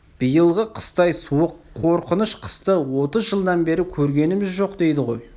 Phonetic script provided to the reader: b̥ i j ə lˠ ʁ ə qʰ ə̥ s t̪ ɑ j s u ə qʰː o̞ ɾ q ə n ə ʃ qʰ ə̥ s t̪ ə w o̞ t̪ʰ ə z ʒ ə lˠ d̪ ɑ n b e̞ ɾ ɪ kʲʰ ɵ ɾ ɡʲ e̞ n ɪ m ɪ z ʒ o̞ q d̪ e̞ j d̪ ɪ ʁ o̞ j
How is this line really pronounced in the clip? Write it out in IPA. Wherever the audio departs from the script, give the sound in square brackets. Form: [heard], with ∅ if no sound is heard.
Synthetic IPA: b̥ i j ə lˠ ʁ ə qʰ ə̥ s t̪ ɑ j s u ə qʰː o̞ ɾ q ə n ə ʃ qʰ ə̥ s t̪ ə w o̞ [t̪] ə z ʒ ə lˠ d̪ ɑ n b e̞ ɾ ɪ kʲʰ ɵ ɾ ɡʲ e̞ n ɪ m ɪ z ʒ o̞ q d̪ e̞ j d̪ ɪ ʁ o̞ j